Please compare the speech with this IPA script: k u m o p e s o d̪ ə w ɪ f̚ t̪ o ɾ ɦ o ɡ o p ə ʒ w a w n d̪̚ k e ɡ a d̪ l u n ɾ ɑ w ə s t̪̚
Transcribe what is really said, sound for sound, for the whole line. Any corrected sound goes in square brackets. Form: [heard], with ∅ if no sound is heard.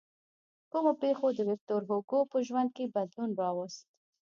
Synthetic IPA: k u m o p e [x] o d̪ ə w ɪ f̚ t̪ o ɾ ɦ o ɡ o p ə ʒ w a [∅] n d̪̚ k e [b] a d̪ l u n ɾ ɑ w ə s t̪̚